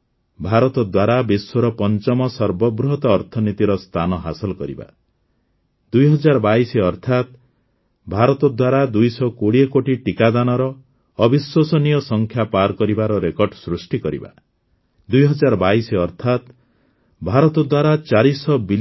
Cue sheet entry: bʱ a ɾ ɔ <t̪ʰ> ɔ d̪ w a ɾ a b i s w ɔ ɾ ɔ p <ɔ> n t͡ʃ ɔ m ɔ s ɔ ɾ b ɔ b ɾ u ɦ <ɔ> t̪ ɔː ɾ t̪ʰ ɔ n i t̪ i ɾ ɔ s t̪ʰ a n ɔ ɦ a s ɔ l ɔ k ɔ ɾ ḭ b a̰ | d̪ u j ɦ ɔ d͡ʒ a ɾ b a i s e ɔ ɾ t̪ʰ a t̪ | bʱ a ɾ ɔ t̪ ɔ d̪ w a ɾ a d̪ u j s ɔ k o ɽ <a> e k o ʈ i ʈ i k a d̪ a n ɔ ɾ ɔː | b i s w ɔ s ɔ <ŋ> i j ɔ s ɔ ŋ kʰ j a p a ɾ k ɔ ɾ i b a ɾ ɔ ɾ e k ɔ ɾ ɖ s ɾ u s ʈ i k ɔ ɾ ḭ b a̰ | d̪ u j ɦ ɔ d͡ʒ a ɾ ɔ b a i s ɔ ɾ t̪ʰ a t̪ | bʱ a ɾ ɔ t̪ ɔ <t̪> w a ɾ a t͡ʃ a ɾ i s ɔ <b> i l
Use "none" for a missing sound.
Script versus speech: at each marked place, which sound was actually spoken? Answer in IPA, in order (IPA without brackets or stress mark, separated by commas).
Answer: t̪, ɔ, ɔ, i, n, d̪, b